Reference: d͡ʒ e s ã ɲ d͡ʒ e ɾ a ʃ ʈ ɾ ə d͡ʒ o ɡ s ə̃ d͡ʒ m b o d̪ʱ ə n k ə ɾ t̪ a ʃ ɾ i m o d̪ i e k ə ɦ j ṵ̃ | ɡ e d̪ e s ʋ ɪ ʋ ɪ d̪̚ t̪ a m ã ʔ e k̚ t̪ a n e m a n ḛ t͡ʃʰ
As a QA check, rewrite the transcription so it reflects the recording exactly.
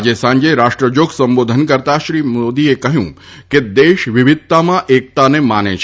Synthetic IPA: d͡ʒ e s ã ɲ d͡ʒ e ɾ a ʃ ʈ ɾ ə d͡ʒ o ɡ s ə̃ m b o d̪ʱ ə n k ə ɾ t̪ a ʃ ɾ i m o d̪ i e k ə ɦ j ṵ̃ | k e d̪ e ʃ ʋ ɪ ʋ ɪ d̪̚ t̪ a m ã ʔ e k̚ t̪ a n e m a n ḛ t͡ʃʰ